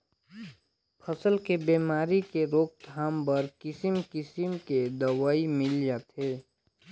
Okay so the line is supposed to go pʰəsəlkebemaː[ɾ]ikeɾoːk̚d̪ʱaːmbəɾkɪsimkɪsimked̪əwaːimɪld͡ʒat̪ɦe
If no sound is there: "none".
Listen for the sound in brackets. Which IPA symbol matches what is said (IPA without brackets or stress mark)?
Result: ɾ